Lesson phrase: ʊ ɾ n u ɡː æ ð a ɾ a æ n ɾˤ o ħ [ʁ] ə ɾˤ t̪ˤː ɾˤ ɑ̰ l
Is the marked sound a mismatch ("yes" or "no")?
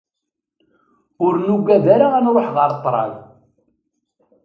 no